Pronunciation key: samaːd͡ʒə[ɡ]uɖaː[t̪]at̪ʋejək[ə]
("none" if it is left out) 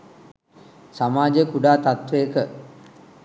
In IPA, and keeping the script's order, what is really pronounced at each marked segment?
k, t̪, ə

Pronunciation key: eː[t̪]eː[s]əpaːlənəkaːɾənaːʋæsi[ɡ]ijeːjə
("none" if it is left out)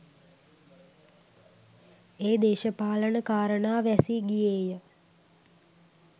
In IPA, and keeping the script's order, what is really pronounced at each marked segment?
d̪, ʃ, ɡ

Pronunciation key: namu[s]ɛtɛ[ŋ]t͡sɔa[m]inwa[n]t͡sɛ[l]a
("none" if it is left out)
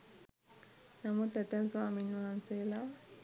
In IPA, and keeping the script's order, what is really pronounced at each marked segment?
t, n, m, n, l

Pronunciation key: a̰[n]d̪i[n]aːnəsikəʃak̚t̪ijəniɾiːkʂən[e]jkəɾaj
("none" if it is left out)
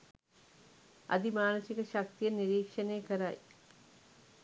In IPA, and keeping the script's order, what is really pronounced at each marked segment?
none, m, e

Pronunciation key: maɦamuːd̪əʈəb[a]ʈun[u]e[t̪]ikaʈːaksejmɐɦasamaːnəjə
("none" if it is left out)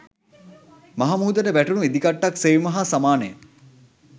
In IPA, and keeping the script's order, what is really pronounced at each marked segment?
æ, u, d̪

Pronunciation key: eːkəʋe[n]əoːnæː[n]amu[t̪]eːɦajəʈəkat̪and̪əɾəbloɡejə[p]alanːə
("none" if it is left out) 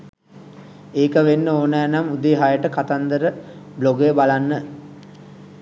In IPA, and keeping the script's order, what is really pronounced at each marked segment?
nː, n, d̪, b

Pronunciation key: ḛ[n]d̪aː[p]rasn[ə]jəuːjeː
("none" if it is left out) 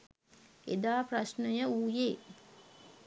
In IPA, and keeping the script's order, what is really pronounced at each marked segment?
none, p, ə

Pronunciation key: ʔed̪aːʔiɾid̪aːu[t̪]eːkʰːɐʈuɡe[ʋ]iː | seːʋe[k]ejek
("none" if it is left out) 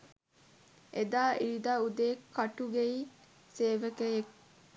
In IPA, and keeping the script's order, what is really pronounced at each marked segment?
d̪, none, k

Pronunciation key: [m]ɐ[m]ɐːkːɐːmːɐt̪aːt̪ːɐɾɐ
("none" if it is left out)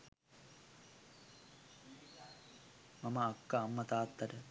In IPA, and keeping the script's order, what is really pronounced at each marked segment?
m, m

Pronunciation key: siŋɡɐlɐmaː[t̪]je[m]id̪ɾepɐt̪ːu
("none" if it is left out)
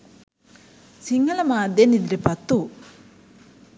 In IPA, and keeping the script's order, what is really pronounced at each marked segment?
d̪, n

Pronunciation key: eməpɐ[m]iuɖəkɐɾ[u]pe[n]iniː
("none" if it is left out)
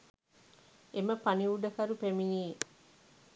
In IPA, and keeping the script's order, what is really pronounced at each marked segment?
n, u, m

